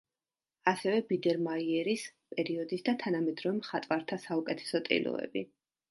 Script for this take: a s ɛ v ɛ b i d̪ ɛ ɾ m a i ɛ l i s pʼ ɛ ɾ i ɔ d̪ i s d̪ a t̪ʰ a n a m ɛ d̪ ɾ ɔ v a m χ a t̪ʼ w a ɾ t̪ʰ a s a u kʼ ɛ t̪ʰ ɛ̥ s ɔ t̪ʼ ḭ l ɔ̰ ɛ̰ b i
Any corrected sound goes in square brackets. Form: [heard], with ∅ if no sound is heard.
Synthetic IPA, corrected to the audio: a s ɛ v ɛ b i d̪ ɛ ɾ m a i ɛ [ɾ] i s pʼ ɛ ɾ i ɔ d̪ i s d̪ a t̪ʰ a n a m ɛ d̪ ɾ ɔ v [ɛ] m χ a t̪ʼ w a ɾ t̪ʰ a s a u kʼ ɛ t̪ʰ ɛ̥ s ɔ t̪ʼ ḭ l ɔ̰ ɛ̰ b i